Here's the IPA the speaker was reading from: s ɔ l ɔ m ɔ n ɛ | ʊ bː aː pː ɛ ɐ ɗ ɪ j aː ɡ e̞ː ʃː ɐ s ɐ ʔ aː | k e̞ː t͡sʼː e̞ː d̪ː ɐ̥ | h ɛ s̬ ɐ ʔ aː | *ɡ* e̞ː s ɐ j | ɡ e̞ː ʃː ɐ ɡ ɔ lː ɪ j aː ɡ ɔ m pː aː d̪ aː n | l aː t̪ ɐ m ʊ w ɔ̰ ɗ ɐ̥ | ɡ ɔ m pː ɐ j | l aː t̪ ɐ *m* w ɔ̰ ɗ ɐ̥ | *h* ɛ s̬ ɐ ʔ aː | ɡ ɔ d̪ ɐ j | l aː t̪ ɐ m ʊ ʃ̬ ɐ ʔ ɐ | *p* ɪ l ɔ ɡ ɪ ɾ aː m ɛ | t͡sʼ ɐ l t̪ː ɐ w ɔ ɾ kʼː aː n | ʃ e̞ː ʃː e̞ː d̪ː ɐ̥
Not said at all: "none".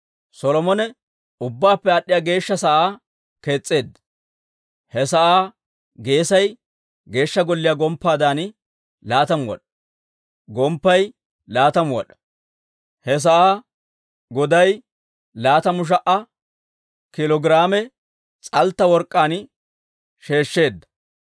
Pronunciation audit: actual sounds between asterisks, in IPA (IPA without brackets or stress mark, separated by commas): ɡ, m, h, k